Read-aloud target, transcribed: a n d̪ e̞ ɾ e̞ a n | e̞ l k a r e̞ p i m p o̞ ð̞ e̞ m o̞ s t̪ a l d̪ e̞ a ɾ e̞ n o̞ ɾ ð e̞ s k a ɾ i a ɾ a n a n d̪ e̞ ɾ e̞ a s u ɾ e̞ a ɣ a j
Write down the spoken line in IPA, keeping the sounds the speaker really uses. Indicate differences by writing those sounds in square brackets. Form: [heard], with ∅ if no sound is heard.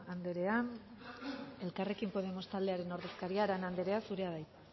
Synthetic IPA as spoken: a n d̪ e̞ ɾ e̞ a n | e̞ l k a r e̞ [k] i m p o̞ ð̞ e̞ m o̞ s t̪ a l d̪ e̞ a ɾ e̞ n o̞ ɾ ð e̞ s k a ɾ i a ɾ a n a n d̪ e̞ ɾ e̞ a s u ɾ e̞ a [ð] a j